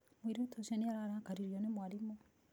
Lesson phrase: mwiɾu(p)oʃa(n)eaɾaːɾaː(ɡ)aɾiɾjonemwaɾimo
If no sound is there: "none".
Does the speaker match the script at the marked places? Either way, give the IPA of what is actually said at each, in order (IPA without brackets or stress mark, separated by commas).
t, n, k